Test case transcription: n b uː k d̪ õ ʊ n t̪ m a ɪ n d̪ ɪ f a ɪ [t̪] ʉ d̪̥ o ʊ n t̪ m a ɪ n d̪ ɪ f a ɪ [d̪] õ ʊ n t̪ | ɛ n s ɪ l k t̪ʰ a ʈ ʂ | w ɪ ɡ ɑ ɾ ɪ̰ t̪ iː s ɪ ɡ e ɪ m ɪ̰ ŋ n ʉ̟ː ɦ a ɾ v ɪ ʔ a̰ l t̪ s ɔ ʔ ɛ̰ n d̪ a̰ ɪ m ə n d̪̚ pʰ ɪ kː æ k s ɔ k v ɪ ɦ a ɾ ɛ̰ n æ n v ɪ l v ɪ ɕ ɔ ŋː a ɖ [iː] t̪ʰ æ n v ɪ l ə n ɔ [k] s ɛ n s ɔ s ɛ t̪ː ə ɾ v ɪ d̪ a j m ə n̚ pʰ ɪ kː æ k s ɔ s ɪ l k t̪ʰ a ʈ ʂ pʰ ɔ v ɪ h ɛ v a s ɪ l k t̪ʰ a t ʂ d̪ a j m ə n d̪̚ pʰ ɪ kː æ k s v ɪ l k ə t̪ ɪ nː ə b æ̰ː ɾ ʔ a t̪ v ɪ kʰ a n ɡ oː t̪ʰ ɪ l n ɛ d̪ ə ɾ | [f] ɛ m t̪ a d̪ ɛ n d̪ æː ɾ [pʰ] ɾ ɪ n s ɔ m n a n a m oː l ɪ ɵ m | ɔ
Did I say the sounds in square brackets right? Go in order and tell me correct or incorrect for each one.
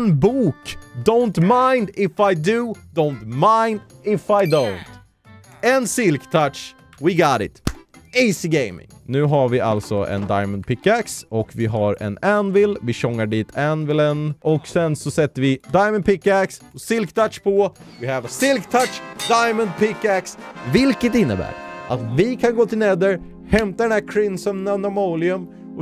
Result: incorrect, correct, correct, correct, incorrect, incorrect

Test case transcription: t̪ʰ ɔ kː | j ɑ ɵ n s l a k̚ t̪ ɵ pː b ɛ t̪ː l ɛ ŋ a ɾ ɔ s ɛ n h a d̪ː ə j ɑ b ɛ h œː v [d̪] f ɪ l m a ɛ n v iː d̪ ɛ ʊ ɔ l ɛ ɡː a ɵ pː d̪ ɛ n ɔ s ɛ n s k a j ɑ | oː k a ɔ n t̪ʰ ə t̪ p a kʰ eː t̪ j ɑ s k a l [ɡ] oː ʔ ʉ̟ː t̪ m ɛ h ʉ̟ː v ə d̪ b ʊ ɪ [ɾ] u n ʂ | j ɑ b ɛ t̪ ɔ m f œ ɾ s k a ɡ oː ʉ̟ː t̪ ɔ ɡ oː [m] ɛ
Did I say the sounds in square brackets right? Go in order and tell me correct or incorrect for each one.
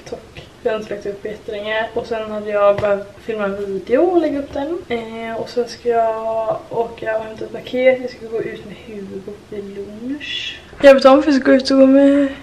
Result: incorrect, correct, incorrect, correct

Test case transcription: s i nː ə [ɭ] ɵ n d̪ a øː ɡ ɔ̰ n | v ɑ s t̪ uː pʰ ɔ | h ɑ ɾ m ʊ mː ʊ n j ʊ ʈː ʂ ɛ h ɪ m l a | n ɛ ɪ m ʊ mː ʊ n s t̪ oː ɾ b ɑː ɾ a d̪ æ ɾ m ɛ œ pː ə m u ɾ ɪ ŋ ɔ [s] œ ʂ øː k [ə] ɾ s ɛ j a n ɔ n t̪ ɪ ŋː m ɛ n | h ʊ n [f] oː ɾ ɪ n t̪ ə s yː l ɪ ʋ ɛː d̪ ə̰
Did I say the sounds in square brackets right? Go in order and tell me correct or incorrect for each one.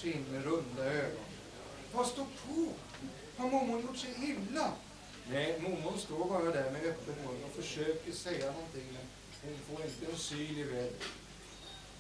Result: incorrect, incorrect, correct, correct

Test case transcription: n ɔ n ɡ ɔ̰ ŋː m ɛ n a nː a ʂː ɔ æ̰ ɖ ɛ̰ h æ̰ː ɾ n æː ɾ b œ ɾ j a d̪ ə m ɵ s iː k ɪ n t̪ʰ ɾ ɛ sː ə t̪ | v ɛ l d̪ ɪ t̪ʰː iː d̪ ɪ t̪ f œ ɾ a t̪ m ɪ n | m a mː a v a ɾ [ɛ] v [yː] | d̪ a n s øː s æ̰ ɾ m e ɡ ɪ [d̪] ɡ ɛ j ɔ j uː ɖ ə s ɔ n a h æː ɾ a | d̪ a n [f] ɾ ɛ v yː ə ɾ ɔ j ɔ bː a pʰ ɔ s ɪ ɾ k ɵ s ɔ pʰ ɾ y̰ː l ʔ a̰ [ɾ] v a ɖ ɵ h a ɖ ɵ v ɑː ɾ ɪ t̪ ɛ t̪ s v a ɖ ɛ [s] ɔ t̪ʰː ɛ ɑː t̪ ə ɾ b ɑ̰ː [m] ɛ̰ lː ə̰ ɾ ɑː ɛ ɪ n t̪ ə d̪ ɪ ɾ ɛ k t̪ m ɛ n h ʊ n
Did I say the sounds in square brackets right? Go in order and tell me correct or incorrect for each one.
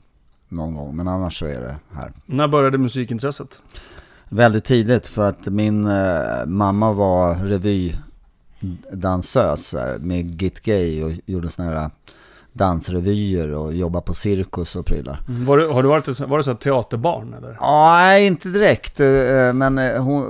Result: correct, correct, incorrect, incorrect, correct, correct, incorrect

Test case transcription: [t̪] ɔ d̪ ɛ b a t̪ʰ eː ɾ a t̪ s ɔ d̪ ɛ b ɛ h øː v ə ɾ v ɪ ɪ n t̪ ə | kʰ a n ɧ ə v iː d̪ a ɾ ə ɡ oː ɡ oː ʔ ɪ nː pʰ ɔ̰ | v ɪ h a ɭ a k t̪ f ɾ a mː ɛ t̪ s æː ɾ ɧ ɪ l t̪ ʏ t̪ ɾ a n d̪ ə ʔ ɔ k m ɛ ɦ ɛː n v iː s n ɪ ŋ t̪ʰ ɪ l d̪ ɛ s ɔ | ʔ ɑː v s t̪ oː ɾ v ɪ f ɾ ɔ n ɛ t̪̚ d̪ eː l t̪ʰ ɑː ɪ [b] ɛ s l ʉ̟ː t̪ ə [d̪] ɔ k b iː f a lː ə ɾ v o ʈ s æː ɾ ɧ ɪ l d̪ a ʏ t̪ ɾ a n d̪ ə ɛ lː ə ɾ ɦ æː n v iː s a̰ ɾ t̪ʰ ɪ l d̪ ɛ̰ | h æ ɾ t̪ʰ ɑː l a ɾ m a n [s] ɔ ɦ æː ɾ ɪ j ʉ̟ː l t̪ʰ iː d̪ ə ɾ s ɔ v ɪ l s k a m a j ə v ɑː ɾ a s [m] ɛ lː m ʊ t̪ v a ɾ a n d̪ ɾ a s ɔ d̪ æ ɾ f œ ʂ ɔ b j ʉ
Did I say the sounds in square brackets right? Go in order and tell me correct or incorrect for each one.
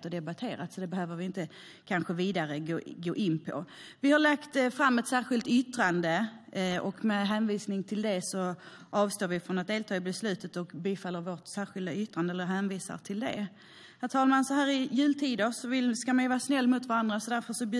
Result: correct, correct, incorrect, correct, incorrect

